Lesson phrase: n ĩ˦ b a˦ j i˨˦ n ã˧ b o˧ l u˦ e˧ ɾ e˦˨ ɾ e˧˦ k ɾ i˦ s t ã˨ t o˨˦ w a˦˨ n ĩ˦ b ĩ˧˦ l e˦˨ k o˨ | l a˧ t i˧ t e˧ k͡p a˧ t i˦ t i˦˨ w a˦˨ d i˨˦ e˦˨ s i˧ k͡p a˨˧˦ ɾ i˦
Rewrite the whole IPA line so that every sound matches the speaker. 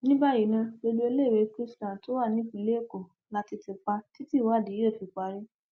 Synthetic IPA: n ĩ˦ b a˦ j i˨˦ n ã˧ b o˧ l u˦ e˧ l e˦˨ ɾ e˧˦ k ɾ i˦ s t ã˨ t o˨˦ w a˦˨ n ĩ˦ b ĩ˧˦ l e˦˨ k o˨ | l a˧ t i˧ t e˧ k͡p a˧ t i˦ t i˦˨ w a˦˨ d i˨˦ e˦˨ f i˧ k͡p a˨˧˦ ɾ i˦

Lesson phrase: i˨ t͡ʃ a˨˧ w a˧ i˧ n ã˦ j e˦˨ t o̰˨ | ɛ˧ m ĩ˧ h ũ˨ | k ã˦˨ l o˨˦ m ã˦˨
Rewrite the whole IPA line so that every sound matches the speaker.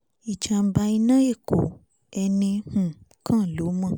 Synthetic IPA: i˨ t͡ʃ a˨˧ b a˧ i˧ n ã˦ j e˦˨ k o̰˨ | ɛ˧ n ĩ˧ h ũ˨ | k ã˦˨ l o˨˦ m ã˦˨

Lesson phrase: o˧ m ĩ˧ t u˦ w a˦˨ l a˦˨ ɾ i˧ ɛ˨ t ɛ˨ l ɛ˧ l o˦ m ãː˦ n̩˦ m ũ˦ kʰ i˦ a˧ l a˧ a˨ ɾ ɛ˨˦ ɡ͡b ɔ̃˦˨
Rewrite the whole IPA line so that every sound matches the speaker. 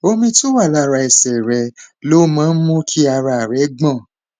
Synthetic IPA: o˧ m ĩ˧ t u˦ w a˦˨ l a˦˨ ɾ a˧ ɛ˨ s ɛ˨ ɾ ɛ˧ l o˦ m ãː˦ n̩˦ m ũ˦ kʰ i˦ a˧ ɾ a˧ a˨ ɾ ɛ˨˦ ɡ͡b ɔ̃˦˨

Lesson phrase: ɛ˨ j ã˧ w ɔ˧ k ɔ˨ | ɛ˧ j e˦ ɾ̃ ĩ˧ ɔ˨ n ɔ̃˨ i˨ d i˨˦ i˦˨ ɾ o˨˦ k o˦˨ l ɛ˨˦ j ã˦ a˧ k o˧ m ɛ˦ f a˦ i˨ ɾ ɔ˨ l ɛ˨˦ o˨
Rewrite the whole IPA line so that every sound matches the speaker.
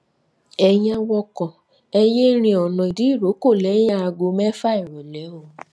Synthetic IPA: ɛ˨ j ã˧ w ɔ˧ k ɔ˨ | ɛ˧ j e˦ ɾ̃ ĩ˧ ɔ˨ n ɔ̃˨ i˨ d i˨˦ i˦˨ ɾ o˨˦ k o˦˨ l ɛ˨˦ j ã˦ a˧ ɡ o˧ m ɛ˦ f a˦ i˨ ɾ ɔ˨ l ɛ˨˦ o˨

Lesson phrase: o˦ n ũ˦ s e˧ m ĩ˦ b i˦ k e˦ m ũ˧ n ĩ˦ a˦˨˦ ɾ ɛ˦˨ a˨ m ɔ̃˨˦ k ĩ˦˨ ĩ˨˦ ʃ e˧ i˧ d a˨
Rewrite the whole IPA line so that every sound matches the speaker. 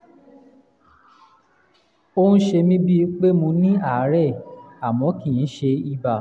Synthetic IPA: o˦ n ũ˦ ʃ e˧ m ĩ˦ b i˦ k͡p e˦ m ũ˧ n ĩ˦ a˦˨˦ ɾ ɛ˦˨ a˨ m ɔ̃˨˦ k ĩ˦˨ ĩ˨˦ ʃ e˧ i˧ b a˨

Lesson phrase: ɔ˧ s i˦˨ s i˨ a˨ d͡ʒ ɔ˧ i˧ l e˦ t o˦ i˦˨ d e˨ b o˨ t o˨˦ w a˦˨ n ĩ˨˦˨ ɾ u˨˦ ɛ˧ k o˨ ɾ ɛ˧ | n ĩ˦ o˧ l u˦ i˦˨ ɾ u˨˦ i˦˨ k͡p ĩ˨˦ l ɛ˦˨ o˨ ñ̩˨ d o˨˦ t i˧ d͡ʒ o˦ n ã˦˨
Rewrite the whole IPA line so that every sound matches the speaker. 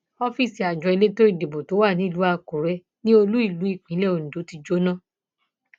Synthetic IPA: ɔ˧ f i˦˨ s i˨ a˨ d͡ʒ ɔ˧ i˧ l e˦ t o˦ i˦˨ d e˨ b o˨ t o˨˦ w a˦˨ n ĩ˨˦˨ l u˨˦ a˧ k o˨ ɾ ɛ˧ | n ĩ˦ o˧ l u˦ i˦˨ l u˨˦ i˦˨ k͡p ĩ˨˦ l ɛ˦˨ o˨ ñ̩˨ d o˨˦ t i˧ d͡ʒ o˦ n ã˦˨

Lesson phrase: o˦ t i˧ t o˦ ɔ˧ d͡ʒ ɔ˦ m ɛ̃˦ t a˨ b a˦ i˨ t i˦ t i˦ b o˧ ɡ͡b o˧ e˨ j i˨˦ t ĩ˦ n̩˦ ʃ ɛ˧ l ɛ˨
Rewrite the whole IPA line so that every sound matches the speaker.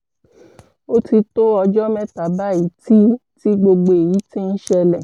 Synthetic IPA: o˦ t i˧ t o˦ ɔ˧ d͡ʒ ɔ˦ m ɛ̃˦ t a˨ b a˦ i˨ t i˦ t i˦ ɡ͡b o˧ ɡ͡b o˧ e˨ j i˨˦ t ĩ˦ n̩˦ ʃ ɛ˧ l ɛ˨

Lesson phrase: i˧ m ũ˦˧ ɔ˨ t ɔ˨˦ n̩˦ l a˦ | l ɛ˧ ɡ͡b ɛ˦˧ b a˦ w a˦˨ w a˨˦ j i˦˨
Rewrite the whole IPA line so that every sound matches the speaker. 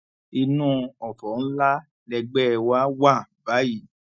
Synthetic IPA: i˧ n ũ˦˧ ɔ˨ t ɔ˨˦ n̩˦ l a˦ | l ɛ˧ ɡ͡b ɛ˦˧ w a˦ w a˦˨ b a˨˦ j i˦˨

